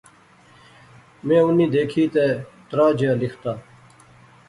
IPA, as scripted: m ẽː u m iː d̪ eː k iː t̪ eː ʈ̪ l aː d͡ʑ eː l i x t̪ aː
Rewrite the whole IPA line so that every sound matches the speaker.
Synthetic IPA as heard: m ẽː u n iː d̪ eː kʰ iː t̪ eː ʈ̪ ɾ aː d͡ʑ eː l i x t̪ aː